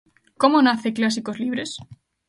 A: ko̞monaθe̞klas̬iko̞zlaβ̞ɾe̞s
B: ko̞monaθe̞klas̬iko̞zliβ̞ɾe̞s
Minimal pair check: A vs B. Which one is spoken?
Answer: B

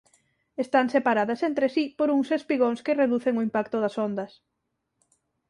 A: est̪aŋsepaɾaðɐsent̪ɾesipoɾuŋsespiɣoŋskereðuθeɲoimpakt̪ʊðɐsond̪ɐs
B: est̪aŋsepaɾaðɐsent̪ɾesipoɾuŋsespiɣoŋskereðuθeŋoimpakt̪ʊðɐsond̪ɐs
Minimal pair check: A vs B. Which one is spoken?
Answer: B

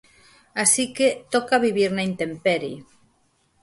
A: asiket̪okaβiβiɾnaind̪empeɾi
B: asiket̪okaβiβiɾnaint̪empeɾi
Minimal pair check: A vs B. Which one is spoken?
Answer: B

